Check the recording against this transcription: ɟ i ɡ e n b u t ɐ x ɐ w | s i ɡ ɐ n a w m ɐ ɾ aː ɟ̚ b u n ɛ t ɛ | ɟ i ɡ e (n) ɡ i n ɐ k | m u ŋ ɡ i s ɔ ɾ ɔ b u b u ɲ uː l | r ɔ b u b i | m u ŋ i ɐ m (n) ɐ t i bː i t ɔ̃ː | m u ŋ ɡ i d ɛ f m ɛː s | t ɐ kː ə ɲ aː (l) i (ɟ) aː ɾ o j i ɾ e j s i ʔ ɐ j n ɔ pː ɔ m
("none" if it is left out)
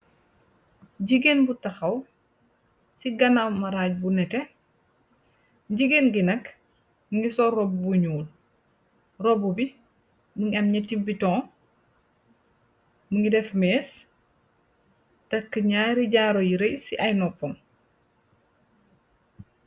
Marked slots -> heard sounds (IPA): n, ɲ, ɾ, ɟ

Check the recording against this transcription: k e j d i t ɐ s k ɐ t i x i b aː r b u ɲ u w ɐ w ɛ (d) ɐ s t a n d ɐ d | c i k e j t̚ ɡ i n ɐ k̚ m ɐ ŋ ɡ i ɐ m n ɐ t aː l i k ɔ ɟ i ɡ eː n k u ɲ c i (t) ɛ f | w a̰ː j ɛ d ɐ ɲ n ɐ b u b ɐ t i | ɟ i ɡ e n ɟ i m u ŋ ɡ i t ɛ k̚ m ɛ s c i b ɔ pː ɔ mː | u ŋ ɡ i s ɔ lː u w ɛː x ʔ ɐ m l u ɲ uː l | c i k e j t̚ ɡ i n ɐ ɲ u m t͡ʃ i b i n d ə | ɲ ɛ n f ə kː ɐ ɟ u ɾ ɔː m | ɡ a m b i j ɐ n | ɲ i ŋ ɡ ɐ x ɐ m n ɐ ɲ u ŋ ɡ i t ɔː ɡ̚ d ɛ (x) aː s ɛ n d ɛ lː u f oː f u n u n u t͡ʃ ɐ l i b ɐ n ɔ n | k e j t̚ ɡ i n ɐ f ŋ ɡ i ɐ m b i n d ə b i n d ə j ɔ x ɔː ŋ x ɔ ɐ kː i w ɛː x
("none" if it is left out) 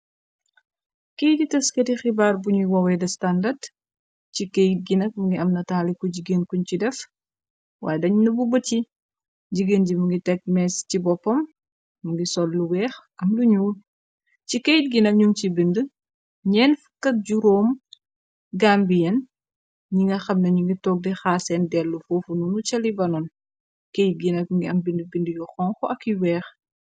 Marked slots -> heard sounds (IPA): d, d, x

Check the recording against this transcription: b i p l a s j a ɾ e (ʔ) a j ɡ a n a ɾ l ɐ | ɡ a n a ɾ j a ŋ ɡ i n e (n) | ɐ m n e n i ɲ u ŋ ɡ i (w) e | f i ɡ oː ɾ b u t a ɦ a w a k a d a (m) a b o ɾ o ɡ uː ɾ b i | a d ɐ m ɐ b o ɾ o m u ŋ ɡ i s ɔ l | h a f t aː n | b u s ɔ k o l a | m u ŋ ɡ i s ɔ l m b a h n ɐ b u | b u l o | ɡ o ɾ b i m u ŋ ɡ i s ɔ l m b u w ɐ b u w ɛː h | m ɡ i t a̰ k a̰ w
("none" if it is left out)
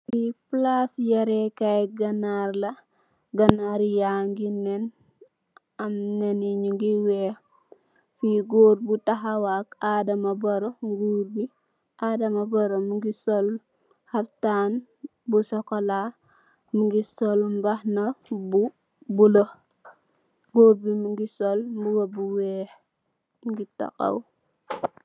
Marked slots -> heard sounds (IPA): k, n, w, m

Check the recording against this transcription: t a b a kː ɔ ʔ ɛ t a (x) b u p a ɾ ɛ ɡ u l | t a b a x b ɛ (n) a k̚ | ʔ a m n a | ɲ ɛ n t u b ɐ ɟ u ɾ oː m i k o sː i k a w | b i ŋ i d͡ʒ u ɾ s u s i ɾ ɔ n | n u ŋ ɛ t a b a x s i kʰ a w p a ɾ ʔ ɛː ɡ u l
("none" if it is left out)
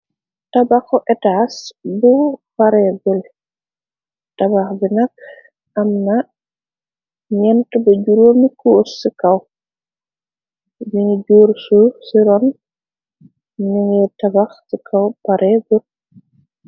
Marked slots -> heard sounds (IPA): s, n

